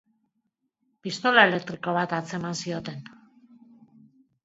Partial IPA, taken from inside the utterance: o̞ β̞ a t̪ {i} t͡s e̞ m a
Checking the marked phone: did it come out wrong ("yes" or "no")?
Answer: yes